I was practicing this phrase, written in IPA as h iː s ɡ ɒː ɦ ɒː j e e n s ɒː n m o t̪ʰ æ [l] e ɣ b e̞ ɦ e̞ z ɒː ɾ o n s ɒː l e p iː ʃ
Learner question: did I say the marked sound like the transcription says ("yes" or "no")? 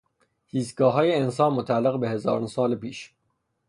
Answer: no